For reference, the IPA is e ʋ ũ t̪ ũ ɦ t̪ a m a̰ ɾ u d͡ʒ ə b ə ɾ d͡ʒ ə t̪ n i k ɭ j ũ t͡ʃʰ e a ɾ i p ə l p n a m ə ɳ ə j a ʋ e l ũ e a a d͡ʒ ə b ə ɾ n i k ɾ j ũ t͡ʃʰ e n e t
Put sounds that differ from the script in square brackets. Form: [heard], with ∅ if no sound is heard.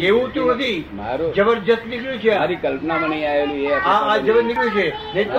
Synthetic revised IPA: e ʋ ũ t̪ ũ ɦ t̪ [i] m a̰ ɾ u d͡ʒ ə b ə ɾ d͡ʒ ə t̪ n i k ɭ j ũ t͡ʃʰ e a ɾ i [k] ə l p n a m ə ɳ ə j a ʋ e l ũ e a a d͡ʒ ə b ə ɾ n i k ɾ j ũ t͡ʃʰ e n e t